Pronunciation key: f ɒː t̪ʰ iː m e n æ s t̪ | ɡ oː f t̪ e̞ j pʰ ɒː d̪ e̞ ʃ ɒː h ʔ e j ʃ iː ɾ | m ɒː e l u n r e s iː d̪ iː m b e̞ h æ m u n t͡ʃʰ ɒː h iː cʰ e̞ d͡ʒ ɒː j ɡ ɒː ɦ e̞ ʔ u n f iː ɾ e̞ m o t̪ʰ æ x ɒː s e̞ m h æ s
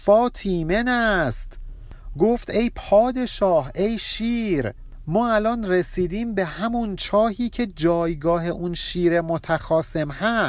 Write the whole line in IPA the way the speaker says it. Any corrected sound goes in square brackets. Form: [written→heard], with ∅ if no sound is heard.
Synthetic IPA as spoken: f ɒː t̪ʰ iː m e n æ s t̪ | ɡ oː f t̪ e̞ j pʰ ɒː d̪ e̞ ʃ ɒː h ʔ e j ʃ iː ɾ | m ɒː [e→æ] l [u→ɒ] n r e s iː d̪ iː m b e̞ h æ m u n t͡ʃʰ ɒː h iː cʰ e̞ d͡ʒ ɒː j ɡ ɒː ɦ e̞ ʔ u n [f→ʃ] iː ɾ e̞ m o t̪ʰ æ x ɒː s e̞ m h æ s